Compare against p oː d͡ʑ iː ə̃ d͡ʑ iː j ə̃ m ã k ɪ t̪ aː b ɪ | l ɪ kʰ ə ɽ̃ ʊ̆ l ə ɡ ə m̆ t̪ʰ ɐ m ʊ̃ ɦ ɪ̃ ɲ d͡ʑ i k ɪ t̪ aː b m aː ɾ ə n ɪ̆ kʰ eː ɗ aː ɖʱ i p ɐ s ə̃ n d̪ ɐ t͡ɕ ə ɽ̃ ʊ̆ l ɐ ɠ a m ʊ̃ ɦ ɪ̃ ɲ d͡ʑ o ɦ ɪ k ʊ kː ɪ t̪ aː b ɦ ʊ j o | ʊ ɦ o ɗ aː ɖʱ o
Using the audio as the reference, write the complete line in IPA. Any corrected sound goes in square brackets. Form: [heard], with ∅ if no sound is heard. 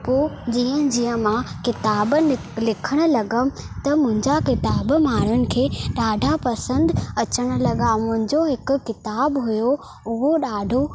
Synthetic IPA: p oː d͡ʑ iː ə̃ d͡ʑ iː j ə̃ m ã k ɪ t̪ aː b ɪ | l ɪ kʰ ə ɽ̃ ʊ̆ l [ɐ] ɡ ə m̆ [t̪] ɐ m ʊ̃ ɦ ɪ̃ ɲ d͡ʑ [a] k ɪ t̪ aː b m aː ɾ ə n ɪ̆ kʰ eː ɗ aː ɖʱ [a] p ɐ s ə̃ n d̪ ɐ t͡ɕ ə ɽ̃ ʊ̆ l ɐ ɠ a m ʊ̃ ɦ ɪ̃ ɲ d͡ʑ o ɦ ɪ k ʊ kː ɪ t̪ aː b ɦ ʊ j o | ʊ ɦ o ɗ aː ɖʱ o

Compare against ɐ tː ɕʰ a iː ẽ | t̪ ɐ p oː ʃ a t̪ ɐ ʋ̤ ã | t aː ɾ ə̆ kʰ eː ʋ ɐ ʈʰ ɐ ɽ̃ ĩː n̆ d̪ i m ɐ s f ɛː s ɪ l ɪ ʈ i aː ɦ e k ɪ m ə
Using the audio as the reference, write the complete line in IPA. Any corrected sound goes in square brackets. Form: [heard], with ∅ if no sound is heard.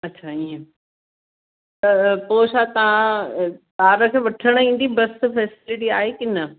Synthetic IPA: ɐ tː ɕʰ a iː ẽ | t̪ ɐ p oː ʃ a t̪ ɐ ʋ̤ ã | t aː ɾ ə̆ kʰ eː ʋ ɐ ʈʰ [ə] ɽ̃ ĩː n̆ d̪ i [b] ɐ s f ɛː s ɪ l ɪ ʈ i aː ɦ e k ɪ [n] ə

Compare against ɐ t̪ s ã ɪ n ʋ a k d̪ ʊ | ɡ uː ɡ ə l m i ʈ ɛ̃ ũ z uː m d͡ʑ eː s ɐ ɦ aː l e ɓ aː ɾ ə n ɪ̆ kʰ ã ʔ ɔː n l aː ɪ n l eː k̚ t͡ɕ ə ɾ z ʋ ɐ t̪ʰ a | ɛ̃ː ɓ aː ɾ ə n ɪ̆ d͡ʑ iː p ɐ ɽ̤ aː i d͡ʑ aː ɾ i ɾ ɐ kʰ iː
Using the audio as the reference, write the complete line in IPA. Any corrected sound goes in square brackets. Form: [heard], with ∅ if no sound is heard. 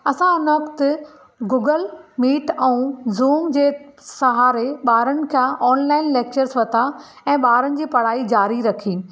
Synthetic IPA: ɐ [∅] s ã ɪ n ʋ [ɐ] k [t̪] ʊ | ɡ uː ɡ ə l m [iː] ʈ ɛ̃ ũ z uː m d͡ʑ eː s ɐ ɦ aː [ɾ] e ɓ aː ɾ ə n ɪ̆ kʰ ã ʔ ɔː n l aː ɪ n l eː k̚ t͡ɕ ə ɾ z ʋ ɐ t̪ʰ a | ɛ̃ː ɓ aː ɾ ə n ɪ̆ d͡ʑ iː p ɐ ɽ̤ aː i d͡ʑ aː ɾ i ɾ ɐ kʰ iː

